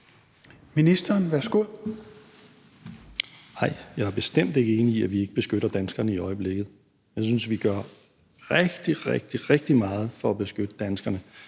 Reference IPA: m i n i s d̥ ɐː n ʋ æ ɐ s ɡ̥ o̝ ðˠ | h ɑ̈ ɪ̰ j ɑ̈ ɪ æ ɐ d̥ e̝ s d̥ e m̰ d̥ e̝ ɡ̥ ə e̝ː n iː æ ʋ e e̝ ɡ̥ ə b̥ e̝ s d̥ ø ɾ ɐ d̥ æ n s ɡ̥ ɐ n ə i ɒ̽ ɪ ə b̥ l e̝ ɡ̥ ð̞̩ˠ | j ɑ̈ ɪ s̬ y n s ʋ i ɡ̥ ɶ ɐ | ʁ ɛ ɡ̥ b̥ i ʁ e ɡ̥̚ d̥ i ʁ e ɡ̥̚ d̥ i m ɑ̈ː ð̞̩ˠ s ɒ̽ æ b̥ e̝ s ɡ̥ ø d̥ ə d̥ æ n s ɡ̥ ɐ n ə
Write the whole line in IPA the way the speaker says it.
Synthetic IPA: m i n i s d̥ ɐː n ʋ æ ɐ s ɡ̥ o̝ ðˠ | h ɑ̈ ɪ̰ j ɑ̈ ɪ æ ɐ b̥ e̝ s d̥ e m̰ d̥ e̝ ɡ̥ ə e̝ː n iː æ ʋ i e̝ ɡ̥ ə b̥ e̝ s ɡ̥ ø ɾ ɐ d̥ æ n s ɡ̥ ɐ n ə i ɒ̽ ɪ ə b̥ l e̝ ɡ̥ ð̞̩ˠ | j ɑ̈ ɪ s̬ y n s ʋ i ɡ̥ ɶ ɐ | ʁ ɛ ɡ̥ d̥ i ʁ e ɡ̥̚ d̥ i ʁ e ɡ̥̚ d̥ i m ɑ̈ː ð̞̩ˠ f ɒ̽ æ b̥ e̝ s ɡ̥ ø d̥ ə d̥ æ n s ɡ̥ ɐ n ə